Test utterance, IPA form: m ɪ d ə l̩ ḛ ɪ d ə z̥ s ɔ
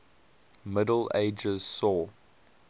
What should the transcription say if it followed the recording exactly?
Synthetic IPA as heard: m ɪ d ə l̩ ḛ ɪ d͡ʒ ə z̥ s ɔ